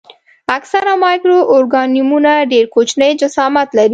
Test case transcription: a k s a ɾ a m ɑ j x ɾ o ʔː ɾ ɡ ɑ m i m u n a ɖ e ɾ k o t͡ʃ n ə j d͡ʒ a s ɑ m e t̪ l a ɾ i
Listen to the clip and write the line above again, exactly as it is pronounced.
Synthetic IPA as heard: a k s a ɾ a m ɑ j k ɾ o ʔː ɾ ɡ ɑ n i m u n a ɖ e ɾ k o t͡ʃ n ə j d͡ʒ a s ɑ m a t̪ l a ɾ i